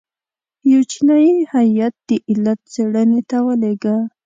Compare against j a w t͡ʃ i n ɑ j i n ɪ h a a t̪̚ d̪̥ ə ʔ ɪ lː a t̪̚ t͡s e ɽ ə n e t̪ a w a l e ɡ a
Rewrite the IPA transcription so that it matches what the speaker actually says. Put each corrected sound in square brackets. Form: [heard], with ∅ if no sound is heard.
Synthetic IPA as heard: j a w t͡ʃ i n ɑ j i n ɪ h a a t̪̚ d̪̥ ə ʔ ɪ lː a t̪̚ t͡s e ɽ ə n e t̪ a w [ə] l e ɡ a